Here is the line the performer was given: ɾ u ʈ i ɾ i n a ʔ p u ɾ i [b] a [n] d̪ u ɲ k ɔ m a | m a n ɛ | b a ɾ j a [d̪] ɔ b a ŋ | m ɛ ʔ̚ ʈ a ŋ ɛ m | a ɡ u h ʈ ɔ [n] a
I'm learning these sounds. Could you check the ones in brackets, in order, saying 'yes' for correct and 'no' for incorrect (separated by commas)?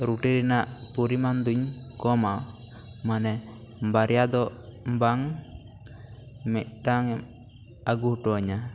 no, yes, yes, no